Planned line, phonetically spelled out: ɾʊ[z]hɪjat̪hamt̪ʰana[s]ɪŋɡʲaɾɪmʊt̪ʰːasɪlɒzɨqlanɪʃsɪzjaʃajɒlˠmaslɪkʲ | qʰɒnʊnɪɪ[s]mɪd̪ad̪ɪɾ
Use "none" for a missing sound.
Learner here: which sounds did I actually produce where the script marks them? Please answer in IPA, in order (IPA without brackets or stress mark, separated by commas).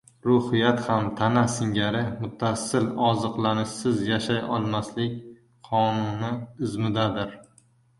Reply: none, s, z